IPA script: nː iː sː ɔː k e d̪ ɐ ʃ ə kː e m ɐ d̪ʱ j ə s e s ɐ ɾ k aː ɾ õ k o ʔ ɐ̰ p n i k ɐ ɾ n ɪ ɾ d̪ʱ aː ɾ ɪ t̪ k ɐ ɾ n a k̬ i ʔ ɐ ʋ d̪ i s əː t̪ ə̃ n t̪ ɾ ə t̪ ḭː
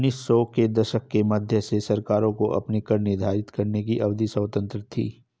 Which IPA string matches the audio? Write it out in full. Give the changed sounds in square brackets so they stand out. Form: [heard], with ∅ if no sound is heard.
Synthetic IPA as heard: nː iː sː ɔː k e d̪ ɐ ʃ ə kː e m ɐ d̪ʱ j ə s e s ɐ ɾ k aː ɾ õ k o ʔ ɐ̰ p n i k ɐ ɾ n ɪ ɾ d̪ʱ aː ɾ ɪ t̪ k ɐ ɾ n [e] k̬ i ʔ ɐ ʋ d̪ i s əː t̪ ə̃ n t̪ ɾ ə [t̪ʰ] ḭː